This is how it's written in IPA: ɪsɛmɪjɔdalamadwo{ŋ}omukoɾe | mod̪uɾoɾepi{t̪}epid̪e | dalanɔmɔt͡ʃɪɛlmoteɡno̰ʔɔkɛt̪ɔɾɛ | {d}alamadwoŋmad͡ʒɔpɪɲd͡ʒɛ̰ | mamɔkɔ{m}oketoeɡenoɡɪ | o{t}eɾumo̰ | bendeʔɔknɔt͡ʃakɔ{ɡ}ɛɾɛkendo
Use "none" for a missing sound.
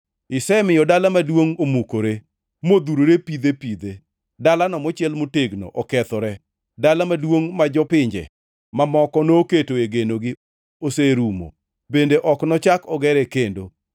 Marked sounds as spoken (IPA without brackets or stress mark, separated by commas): ŋ, d̪, d, n, s, ɡ